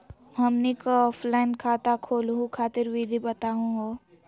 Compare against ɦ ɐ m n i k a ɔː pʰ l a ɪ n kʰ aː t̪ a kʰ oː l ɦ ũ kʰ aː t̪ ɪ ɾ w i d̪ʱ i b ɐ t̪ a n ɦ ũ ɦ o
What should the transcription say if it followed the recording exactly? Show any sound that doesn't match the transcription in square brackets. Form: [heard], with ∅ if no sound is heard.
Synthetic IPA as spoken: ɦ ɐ m n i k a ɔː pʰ l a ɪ n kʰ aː t̪ a kʰ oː l ɦ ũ kʰ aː t̪ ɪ ɾ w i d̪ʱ i b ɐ t̪ a [∅] ɦ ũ ɦ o